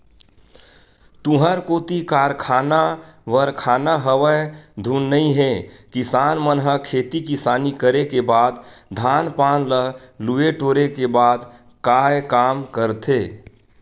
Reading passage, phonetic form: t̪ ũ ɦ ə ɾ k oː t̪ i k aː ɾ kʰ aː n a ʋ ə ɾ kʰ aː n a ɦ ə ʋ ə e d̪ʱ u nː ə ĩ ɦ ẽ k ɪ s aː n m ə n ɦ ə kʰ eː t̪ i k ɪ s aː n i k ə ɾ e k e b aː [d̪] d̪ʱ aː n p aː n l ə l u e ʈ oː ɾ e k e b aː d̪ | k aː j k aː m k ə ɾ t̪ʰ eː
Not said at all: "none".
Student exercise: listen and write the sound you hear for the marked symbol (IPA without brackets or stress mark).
d̪